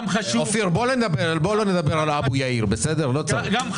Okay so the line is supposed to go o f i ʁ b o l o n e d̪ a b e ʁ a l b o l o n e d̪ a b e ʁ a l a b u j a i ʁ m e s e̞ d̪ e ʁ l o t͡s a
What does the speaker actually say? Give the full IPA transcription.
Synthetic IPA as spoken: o f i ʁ b o l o n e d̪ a b e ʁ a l b o l o n e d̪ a b e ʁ a l a b u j a i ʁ b e s e̞ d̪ e ʁ l o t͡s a